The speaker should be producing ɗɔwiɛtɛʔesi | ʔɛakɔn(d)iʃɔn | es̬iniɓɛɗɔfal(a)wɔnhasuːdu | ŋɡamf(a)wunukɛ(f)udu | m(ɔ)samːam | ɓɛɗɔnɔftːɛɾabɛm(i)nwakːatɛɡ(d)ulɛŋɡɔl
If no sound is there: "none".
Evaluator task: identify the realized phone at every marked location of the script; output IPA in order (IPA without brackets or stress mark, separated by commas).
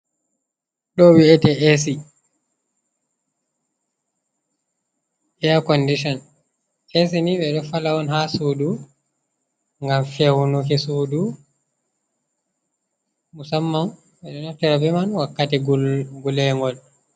d, a, ɛ, s, u, a, ɡ